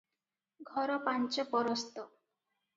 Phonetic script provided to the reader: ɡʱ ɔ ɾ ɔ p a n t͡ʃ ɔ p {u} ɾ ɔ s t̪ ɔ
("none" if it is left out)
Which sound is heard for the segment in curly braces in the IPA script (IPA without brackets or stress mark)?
ɔ